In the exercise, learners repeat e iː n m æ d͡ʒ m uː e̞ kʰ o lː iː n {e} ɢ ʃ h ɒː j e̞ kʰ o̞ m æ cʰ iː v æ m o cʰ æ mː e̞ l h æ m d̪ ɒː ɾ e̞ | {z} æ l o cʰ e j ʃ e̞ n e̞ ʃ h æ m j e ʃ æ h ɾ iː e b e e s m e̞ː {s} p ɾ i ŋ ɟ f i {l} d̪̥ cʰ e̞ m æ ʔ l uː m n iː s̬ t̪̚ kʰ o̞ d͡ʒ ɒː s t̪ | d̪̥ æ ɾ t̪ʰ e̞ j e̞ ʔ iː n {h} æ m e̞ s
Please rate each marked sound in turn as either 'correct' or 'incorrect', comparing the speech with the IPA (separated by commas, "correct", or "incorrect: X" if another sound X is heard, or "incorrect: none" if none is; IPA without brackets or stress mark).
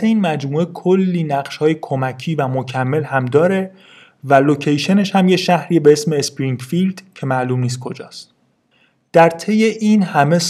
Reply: incorrect: æ, incorrect: v, correct, correct, correct